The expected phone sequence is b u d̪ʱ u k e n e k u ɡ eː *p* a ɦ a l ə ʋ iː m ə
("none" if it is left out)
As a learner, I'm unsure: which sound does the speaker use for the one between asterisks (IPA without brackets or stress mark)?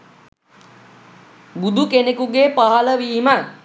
p